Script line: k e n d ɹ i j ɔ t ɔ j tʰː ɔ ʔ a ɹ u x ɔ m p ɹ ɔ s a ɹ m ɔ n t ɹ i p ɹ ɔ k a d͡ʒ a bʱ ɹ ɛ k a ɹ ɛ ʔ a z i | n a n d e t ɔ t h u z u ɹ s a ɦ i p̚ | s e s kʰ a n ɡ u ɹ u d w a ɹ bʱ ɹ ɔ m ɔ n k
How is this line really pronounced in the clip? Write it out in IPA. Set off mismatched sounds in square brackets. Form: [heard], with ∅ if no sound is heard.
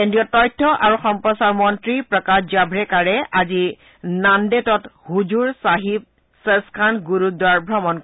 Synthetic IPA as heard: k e n d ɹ i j ɔ t ɔ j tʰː ɔ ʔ a ɹ u x ɔ m p ɹ ɔ s a ɹ m ɔ n t ɹ i p ɹ ɔ k a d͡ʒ a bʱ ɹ ɛ k a ɹ ɛ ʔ a z i | n a n d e t ɔ t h u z u ɹ s a ɦ i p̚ | s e s kʰ a n ɡ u ɹ u d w a ɹ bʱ ɹ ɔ m ɔ n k